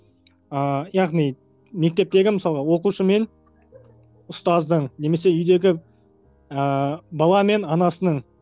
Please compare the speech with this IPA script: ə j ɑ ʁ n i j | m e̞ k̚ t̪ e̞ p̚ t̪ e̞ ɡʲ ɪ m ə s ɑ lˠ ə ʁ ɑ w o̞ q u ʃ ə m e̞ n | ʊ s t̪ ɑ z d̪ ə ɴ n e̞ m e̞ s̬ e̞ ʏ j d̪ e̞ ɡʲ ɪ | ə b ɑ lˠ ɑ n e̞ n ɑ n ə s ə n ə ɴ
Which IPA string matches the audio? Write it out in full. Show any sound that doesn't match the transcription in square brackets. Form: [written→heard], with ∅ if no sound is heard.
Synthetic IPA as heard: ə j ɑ ʁ n i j | m e̞ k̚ t̪ e̞ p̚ t̪ e̞ ɡʲ ɪ m ə s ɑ lˠ ə ʁ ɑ w o̞ q u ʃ ə m e̞ n | ʊ s t̪ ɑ z d̪ ə ɴ n e̞ m e̞ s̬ e̞ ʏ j d̪ e̞ ɡʲ ɪ | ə b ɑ lˠ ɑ [n→m] e̞ n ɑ n [ə→ɑ] s ə n ə ɴ